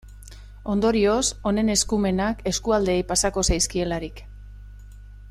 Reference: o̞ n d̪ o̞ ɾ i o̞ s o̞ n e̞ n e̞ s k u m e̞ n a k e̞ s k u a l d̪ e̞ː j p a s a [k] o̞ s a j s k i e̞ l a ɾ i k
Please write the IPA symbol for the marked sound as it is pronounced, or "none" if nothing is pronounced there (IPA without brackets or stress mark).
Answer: k